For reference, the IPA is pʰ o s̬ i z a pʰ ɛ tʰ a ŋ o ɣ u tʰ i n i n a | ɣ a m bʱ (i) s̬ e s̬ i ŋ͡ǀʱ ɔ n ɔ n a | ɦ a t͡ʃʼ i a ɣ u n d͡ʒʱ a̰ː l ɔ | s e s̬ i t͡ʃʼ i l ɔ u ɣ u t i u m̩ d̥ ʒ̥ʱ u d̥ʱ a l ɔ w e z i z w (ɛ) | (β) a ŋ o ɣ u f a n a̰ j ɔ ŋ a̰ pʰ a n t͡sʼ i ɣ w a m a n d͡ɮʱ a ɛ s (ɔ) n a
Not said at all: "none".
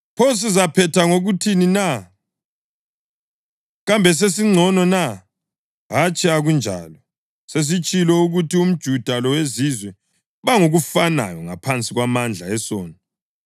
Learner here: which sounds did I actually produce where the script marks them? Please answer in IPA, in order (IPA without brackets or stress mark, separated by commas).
ɛ, ɛ, β, ɔː